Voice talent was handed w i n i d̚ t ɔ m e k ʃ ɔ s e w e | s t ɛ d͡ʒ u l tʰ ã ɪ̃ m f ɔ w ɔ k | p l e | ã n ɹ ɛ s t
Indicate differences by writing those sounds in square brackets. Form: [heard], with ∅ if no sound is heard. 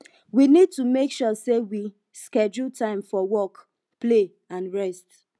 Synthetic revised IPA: w i n i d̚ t [u] m e k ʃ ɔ s e w [i] | s [k] ɛ d͡ʒ u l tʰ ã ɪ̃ m f ɔ w ɔ k | p l e | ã n ɹ ɛ s t